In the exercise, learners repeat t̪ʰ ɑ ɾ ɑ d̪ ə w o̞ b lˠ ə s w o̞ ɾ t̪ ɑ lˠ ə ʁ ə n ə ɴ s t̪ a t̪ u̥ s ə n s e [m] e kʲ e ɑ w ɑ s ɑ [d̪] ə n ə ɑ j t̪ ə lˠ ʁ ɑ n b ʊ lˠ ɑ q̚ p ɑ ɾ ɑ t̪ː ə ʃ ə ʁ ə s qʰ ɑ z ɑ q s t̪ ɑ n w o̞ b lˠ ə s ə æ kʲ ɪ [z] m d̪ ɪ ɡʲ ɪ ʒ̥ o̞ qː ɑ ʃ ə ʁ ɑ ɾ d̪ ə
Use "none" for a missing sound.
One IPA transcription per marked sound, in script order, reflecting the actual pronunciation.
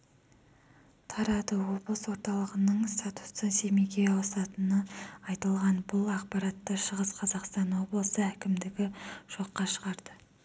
m, t̪, none

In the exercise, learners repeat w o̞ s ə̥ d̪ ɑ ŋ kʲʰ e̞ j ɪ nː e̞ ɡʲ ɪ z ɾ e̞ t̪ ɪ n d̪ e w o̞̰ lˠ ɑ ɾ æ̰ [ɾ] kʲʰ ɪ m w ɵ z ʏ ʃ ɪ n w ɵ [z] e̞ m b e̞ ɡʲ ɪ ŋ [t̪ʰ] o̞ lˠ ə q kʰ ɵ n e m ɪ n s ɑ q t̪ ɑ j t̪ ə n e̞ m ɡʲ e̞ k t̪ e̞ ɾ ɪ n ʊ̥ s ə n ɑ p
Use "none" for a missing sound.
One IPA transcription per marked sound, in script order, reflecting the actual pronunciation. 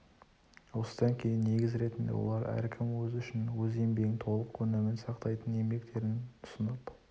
ɾ, z, t̪ʰ

